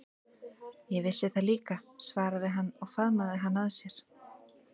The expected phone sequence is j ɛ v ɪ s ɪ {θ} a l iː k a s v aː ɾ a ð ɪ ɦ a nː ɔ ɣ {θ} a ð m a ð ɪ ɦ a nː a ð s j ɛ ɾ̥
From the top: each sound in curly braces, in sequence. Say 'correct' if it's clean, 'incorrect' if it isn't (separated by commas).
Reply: correct, incorrect